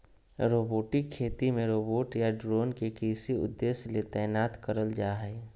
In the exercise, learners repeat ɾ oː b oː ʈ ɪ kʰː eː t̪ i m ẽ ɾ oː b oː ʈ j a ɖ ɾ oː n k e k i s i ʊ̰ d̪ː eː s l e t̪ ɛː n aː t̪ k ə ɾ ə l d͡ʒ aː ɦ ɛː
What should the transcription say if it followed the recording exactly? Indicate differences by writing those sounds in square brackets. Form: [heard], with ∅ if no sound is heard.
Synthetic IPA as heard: ɾ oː b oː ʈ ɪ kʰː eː t̪ i m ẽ ɾ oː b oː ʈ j a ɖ ɾ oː n k e k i s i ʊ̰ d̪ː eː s l e t̪ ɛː n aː t̪ k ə ɾ ə l d͡ʒ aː ɦ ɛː